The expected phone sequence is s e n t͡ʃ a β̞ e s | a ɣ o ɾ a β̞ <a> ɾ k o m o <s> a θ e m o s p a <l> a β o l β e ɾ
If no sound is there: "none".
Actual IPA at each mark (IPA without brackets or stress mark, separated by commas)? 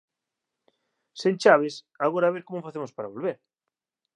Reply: e, f, ɾ